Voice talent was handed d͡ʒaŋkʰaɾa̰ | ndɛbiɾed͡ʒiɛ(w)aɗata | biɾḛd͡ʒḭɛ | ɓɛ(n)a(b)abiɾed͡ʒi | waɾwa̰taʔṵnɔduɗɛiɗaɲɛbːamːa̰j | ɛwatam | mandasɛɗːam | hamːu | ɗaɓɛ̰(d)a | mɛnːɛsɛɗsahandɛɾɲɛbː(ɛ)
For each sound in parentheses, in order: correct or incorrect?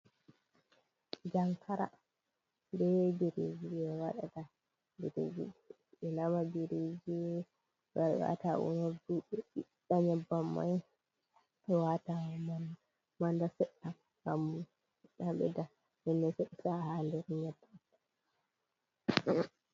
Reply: correct, correct, incorrect, correct, incorrect

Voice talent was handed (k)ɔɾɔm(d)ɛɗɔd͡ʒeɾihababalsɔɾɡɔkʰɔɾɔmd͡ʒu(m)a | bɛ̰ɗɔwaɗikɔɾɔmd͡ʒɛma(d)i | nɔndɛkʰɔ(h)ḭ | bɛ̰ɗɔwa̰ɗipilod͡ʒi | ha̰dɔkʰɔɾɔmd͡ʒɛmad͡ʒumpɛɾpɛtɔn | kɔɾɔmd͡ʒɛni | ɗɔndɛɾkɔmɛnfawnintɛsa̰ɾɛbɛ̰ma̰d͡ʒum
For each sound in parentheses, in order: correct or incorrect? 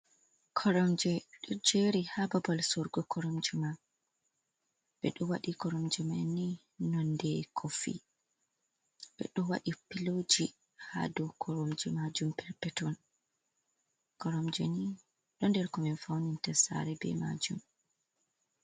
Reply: incorrect, incorrect, correct, incorrect, incorrect

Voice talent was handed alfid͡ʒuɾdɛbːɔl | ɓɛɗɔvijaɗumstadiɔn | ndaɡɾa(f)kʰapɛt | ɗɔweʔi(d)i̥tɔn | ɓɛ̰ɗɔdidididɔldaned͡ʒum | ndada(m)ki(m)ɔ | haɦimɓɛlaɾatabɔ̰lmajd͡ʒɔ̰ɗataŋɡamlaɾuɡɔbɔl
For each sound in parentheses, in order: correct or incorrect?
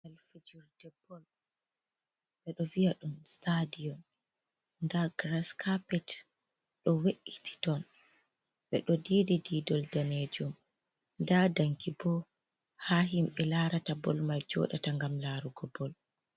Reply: incorrect, incorrect, incorrect, incorrect

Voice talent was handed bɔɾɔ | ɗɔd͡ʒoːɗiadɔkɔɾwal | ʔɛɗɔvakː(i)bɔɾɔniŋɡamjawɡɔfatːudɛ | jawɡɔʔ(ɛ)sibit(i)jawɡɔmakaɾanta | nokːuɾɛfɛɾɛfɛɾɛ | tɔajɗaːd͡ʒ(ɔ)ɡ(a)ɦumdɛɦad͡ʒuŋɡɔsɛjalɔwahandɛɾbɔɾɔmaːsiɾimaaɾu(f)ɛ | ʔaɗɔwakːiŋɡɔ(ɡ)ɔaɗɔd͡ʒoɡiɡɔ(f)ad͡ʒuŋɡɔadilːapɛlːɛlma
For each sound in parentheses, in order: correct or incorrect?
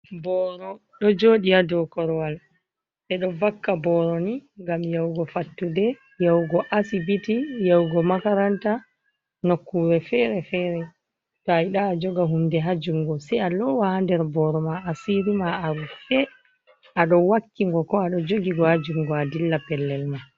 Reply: incorrect, incorrect, correct, correct, correct, correct, incorrect, incorrect

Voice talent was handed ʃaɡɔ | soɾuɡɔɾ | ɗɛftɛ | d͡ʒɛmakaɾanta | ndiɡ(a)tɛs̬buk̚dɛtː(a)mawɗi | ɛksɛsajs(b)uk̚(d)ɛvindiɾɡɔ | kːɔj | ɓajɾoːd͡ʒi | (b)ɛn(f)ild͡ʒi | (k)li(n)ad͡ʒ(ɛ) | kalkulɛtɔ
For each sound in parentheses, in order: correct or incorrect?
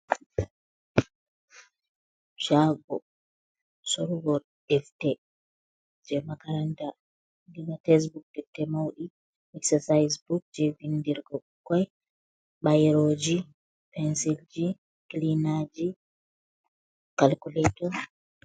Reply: correct, incorrect, correct, incorrect, incorrect, incorrect, correct, correct, incorrect

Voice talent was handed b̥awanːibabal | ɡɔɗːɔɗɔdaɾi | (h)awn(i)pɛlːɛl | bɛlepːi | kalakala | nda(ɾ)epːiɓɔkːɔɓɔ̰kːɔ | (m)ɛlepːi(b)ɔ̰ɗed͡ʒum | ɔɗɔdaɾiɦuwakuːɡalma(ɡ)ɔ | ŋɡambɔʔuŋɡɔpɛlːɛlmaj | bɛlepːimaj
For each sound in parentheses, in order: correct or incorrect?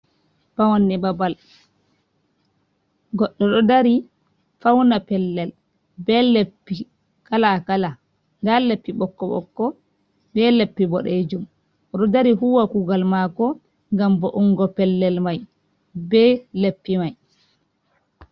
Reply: incorrect, incorrect, incorrect, incorrect, correct, incorrect

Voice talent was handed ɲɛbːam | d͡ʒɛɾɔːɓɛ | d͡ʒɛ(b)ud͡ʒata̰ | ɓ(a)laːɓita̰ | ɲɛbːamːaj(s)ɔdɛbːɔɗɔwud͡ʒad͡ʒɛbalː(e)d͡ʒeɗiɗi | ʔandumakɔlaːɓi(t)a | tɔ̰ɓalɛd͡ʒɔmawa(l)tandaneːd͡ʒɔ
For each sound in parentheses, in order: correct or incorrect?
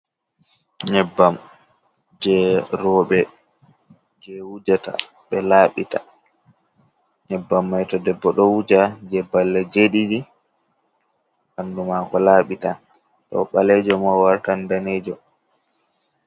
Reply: incorrect, incorrect, incorrect, incorrect, correct, incorrect

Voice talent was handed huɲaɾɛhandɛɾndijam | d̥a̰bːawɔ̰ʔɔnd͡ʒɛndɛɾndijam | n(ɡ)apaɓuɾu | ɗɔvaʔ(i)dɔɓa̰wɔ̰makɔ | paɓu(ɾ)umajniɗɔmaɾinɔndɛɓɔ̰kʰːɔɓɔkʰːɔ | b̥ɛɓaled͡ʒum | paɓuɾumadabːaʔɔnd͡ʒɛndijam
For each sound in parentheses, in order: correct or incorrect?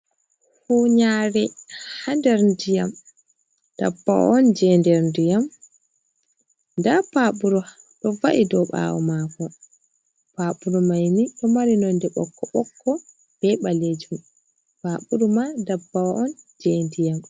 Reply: incorrect, correct, correct

